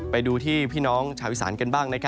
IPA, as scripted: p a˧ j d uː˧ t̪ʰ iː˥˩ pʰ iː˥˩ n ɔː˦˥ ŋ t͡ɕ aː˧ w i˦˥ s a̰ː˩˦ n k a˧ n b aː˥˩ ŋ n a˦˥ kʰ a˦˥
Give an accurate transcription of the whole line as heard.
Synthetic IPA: p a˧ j d uː˧ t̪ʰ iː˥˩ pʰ iː˥˩ n ɔː˦˥ ŋ t͡ɕʰ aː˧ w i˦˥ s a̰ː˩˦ n k a˧ n b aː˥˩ ŋ n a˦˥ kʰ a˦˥